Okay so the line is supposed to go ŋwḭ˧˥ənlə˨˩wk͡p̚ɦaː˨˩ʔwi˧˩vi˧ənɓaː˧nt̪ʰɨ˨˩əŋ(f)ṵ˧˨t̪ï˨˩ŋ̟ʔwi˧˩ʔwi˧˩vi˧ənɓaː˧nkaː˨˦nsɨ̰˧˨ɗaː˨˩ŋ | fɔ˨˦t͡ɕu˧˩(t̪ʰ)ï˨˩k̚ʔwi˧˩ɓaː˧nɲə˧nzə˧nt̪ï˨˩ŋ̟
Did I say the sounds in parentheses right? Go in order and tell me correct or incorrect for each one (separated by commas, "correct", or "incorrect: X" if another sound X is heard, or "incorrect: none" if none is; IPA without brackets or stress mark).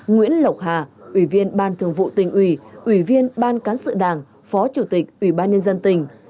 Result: incorrect: v, incorrect: t̪